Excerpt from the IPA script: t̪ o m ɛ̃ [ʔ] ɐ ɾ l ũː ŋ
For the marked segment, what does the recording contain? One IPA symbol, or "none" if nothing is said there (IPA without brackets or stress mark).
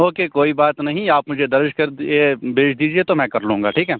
k